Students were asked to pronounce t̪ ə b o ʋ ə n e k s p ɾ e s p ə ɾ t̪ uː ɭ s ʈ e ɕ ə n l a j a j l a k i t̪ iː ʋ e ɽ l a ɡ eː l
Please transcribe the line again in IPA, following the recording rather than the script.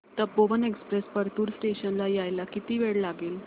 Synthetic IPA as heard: t̪ ə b o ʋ ə n e k s p ɾ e s p ə ɾ t̪ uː ɾ s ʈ e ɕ ə n l a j a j l a k i t̪ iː ʋ e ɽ l a ɡ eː l